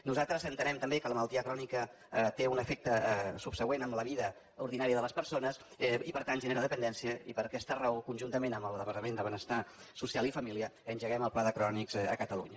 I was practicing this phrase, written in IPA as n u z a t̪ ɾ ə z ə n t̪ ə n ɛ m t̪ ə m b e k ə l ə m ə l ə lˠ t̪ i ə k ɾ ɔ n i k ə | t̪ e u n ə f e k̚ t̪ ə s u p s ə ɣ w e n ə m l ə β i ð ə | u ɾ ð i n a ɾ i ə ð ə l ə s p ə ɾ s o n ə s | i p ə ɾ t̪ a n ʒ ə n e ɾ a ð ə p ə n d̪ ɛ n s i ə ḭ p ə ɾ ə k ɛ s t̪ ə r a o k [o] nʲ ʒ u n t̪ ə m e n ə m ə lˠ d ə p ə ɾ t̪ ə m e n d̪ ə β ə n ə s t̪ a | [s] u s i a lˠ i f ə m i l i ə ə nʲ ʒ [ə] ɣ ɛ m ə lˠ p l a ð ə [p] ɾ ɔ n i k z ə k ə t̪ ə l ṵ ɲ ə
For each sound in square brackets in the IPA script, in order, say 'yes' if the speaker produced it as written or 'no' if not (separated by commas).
no, yes, yes, no